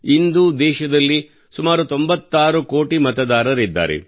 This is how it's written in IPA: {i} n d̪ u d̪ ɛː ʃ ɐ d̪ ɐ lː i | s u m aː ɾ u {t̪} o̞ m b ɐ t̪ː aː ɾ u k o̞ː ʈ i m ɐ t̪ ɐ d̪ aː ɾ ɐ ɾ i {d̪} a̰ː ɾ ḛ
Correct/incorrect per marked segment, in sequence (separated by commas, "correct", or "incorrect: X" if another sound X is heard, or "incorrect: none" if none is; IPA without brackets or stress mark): correct, correct, incorrect: d̪ː